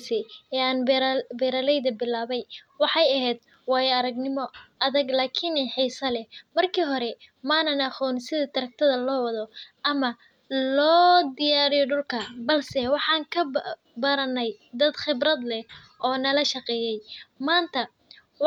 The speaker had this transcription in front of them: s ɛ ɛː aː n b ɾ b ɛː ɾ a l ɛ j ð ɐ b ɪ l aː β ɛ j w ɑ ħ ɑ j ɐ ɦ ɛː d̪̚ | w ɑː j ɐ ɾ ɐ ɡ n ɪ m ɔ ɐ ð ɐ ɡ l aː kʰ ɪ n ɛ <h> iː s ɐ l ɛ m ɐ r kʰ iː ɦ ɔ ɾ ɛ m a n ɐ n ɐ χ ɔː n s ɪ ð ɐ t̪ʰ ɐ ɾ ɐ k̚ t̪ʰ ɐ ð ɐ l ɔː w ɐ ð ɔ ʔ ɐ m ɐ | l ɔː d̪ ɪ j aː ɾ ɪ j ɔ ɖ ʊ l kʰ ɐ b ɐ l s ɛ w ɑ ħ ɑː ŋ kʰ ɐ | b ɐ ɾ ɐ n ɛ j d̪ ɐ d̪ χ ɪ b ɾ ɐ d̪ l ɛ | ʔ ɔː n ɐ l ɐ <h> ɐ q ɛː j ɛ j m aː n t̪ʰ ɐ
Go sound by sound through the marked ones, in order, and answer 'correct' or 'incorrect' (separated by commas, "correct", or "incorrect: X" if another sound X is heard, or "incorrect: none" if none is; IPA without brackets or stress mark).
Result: incorrect: ħ, incorrect: ʃ